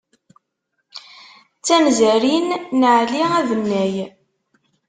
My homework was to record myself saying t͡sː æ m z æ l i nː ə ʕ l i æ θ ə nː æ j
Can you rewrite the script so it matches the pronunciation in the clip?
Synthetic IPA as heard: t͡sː æ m z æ ɾ i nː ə ʕ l i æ ð ə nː æ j